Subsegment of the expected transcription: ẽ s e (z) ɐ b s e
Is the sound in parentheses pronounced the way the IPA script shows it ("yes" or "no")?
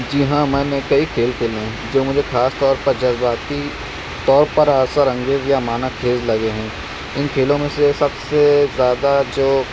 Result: no